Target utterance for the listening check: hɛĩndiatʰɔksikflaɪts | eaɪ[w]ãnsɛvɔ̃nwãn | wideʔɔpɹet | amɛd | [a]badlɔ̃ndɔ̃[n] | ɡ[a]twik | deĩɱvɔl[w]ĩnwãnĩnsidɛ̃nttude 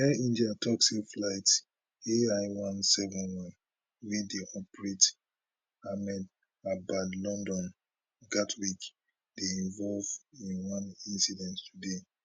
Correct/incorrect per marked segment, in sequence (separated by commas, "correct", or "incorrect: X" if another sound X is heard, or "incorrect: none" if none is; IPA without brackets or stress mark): correct, correct, correct, correct, incorrect: v